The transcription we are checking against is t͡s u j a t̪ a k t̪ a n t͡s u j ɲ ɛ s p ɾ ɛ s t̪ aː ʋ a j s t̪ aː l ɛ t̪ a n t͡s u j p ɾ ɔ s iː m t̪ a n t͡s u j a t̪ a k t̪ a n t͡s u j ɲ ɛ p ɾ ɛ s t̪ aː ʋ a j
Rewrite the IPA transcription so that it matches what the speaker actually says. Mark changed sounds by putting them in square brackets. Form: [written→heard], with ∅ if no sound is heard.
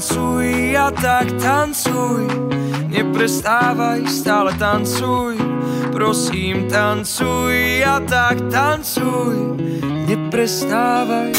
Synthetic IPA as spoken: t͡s u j a t̪ a k t̪ a n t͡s u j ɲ ɛ [s→∅] p ɾ ɛ s t̪ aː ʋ a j s t̪ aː l ɛ t̪ a n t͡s u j p ɾ ɔ s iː m t̪ a n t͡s u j a t̪ a k t̪ a n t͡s u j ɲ ɛ p ɾ ɛ s t̪ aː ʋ a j